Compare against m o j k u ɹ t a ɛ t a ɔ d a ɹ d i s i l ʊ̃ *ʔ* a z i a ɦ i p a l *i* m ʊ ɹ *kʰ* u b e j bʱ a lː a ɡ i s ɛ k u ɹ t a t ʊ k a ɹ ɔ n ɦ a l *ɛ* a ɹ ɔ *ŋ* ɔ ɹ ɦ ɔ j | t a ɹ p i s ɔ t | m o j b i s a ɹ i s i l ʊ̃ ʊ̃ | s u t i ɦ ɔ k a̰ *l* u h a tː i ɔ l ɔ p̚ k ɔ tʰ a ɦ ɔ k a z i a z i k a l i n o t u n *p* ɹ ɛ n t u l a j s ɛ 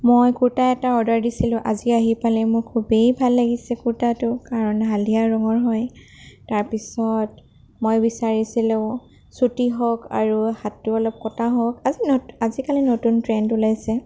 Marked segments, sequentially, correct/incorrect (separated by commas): correct, incorrect, correct, incorrect, correct, incorrect, incorrect